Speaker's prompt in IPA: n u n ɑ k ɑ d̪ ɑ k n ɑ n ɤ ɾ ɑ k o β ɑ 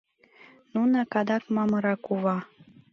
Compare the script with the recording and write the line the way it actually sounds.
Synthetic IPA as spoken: n u n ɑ k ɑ d̪ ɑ k m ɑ m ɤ ɾ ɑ k u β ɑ